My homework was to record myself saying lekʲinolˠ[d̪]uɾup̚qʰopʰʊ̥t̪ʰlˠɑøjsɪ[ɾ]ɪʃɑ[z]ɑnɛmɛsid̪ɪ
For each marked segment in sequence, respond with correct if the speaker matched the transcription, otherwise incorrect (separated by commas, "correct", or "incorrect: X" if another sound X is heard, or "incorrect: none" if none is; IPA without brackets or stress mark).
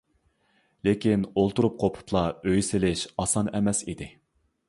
incorrect: t̪, incorrect: l, incorrect: s